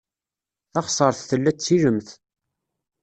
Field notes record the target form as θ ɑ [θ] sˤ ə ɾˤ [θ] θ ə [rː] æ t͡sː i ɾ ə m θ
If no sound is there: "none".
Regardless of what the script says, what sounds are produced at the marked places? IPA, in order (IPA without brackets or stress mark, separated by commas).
χ, θ, lː